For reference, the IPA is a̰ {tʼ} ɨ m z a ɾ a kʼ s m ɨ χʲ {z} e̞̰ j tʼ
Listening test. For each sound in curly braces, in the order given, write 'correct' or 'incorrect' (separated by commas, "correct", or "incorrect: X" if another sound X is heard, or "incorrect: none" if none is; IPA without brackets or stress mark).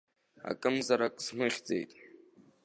incorrect: kʼ, incorrect: d͡z